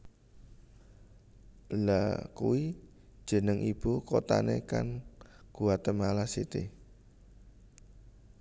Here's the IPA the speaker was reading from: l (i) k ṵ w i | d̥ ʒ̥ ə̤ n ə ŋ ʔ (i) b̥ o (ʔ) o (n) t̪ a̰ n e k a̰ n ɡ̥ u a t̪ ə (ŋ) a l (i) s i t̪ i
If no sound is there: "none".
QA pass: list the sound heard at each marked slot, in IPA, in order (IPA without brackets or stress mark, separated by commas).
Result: a, i, k, none, m, a